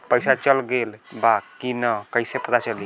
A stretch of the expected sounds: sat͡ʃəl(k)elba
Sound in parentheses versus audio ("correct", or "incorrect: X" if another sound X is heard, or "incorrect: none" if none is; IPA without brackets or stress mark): incorrect: ɡ